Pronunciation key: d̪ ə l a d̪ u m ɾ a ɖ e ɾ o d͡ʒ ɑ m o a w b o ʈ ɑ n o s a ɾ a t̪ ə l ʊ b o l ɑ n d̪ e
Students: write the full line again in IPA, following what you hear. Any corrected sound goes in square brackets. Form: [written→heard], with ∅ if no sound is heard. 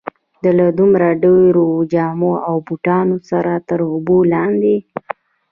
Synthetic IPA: d̪ ə l a d̪ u m ɾ a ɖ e ɾ o d͡ʒ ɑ m o a w b [o→u] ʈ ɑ n o s a ɾ a t̪ ə [l→ɾ] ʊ b o l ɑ n d̪ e

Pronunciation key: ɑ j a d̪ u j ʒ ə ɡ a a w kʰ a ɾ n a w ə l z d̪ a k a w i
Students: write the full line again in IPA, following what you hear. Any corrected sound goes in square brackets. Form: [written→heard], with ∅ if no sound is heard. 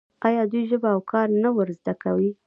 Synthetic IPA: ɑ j [a→ɑ] d̪ u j ʒ ə [ɡ→b] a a w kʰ [a→ɑ] ɾ n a w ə [l→ɾ] z d̪ a k a w i

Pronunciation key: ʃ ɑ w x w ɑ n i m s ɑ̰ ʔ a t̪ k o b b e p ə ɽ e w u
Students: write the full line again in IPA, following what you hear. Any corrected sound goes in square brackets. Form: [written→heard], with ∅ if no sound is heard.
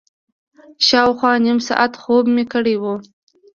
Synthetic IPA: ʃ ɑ w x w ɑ n i m s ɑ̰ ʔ a t̪ [k→x] o b [b→m] e [p→k] ə ɽ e w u

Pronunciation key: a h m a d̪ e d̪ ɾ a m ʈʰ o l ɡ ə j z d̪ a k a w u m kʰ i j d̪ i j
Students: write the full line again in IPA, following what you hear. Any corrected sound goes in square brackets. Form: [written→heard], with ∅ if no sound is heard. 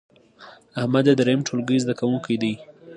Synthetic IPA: a h m a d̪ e d̪ ɾ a m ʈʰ o l ɡ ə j z d̪ a k a w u [m→ŋ] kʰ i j d̪ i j

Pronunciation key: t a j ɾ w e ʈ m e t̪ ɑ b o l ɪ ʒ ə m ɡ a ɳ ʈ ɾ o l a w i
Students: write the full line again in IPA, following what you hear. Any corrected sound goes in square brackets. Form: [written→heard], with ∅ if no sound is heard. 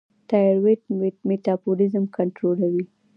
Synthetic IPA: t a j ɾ w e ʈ m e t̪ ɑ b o l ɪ [ʒ→z] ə m [ɡ→k] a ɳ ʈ ɾ o l a w i

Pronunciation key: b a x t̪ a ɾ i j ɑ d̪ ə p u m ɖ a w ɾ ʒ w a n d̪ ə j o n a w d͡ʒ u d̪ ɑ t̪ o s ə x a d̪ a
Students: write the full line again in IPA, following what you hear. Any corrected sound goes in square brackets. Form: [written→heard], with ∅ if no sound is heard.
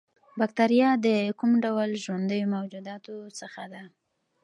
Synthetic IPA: b a [x→k] t̪ a ɾ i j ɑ d̪ ə [p→k] u m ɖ a w [ɾ→l] ʒ w a n d̪ ə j o [n→m] a w d͡ʒ u d̪ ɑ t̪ o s ə x a d̪ a

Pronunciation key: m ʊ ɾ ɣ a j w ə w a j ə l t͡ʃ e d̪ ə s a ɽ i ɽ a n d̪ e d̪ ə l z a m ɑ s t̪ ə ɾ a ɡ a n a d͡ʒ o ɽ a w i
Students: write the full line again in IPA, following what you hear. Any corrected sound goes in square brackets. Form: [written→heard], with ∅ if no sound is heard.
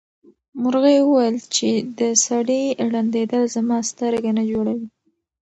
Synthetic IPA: m ʊ ɾ ɣ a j w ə w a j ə l t͡ʃ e d̪ ə s a ɽ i ɽ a n d̪ e d̪ ə l z a m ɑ s t̪ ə ɾ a ɡ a n a d͡ʒ o ɽ a w i

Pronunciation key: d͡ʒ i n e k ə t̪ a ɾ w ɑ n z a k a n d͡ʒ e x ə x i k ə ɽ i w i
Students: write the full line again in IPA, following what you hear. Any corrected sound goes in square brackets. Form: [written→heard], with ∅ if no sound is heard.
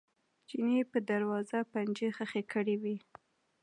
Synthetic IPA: d͡ʒ i n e [k→p] ə [t̪→d̪] a ɾ w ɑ [n→∅] z a [k→p] a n d͡ʒ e x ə x [i→e] k ə ɽ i w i

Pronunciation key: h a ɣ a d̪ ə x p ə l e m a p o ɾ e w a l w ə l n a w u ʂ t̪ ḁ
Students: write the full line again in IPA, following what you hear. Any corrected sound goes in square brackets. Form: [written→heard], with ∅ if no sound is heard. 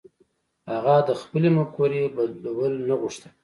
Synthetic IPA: h a ɣ a d̪ ə x p ə l e m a [p→k] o ɾ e [w→b] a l w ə l n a [w→ɣ] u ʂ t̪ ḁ

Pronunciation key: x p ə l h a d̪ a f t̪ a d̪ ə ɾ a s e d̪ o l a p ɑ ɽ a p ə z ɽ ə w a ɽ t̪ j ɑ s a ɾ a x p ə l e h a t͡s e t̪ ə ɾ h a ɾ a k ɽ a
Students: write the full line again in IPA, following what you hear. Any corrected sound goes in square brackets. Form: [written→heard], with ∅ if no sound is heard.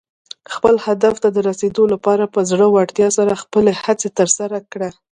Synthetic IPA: x p ə l h a d̪ a f t̪ a d̪ ə ɾ a s e d̪ o l a p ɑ [ɽ→ɾ] a p ə z ɽ ə w a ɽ t̪ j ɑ s a ɾ a x p ə l e h a t͡s e t̪ ə ɾ [h→s] a ɾ a k ɽ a

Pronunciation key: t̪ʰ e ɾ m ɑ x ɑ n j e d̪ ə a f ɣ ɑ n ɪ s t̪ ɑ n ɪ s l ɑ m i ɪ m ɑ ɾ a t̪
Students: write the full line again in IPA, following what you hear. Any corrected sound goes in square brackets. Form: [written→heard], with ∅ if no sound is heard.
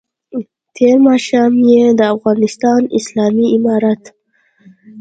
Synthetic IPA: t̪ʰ e ɾ m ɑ [x→ʃ] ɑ [n→m] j e d̪ ə a f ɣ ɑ n ɪ s t̪ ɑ n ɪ s l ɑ m i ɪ m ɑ ɾ a t̪

